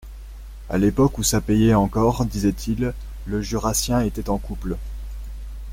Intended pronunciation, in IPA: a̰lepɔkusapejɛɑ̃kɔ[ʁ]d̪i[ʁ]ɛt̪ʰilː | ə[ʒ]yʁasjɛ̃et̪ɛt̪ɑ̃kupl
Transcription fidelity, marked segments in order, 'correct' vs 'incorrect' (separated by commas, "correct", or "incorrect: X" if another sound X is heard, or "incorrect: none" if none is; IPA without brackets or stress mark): correct, incorrect: z, correct